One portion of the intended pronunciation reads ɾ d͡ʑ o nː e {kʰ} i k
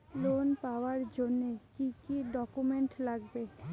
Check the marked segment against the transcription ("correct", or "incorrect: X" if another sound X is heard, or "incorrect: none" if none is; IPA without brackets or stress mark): incorrect: k